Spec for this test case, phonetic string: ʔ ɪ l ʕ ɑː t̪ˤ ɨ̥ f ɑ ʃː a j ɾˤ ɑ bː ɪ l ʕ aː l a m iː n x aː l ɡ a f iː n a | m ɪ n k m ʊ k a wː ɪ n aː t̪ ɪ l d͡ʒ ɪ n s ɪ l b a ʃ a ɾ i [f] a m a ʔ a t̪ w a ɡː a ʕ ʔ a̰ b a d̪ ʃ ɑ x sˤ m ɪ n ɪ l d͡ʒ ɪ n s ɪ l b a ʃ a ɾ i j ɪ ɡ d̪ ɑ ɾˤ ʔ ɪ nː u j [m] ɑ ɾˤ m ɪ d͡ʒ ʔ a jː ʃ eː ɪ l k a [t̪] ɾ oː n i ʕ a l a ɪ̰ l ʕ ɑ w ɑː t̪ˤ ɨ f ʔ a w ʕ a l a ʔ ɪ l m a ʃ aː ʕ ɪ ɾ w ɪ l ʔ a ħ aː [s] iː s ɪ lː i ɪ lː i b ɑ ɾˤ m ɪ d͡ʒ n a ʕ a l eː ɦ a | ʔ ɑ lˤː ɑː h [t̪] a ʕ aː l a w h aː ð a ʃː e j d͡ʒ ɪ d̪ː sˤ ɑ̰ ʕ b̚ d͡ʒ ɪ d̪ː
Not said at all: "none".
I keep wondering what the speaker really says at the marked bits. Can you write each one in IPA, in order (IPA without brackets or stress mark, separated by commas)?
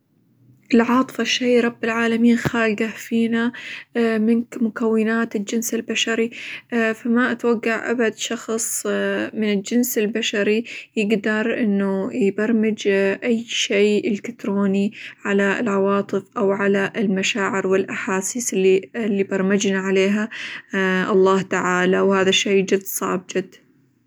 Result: f, b, t̪, s, t̪